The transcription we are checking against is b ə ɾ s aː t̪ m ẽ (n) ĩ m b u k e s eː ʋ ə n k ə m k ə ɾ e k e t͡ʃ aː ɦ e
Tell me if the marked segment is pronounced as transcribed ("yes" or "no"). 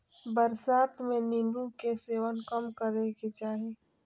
yes